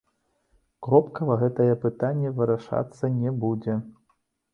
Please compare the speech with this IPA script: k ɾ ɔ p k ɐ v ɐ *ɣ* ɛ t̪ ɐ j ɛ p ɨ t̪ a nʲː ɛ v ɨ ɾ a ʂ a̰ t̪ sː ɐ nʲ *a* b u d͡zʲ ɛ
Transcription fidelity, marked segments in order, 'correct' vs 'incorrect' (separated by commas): correct, incorrect